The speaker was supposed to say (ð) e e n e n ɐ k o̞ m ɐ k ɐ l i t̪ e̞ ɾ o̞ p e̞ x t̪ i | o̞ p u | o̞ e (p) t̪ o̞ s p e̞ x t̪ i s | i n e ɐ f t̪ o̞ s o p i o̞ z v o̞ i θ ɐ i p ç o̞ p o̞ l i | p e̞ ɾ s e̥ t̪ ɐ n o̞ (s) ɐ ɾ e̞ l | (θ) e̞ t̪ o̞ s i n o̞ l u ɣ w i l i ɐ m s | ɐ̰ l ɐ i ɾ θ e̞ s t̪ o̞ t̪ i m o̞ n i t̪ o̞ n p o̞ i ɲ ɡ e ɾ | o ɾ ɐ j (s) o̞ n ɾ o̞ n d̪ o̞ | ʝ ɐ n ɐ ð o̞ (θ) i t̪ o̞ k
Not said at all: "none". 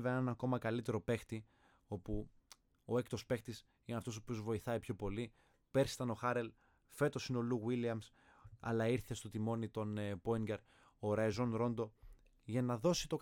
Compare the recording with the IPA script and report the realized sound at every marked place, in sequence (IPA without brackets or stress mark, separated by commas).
v, k, x, f, z, s